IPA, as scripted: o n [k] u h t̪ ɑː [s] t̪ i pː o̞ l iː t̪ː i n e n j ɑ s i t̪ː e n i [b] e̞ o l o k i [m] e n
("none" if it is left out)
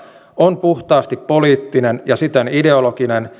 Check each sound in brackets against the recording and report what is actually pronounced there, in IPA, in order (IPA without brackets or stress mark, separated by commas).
p, s, d, n